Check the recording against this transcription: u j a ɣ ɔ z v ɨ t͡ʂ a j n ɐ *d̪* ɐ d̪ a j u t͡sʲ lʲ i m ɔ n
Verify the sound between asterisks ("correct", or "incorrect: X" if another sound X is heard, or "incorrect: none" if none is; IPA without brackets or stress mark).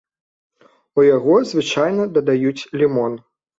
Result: correct